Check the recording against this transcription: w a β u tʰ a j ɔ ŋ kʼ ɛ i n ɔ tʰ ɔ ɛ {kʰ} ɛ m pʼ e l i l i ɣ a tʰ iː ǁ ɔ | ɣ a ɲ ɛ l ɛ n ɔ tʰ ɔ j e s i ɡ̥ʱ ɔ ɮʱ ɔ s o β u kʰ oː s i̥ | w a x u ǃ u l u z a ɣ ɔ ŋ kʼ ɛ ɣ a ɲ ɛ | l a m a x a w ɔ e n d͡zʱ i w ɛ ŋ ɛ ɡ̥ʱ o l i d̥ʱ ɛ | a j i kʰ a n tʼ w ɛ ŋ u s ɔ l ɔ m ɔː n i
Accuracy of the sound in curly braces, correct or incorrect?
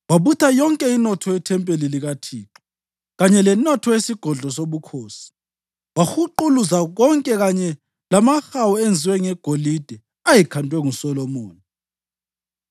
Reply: incorrect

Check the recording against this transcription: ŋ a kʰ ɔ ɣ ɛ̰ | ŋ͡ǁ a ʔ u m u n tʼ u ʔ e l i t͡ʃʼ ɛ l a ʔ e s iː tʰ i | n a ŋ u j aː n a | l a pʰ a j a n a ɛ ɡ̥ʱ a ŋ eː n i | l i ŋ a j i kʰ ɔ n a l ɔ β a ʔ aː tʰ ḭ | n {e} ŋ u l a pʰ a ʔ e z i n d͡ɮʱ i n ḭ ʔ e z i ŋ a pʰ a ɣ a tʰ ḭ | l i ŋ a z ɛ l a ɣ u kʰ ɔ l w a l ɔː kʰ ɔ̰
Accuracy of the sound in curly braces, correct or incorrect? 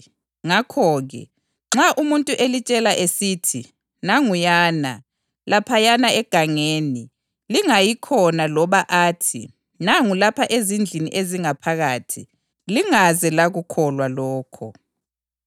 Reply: incorrect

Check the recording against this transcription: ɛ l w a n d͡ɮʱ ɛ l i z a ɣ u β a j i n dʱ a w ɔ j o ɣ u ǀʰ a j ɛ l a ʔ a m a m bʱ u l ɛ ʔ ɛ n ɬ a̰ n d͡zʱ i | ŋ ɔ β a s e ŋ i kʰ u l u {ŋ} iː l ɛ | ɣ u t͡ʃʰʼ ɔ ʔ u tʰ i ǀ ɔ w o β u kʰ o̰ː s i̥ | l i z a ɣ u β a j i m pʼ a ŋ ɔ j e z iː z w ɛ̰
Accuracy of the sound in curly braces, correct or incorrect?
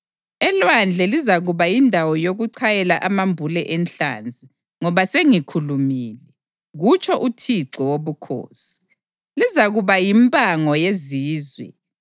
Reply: incorrect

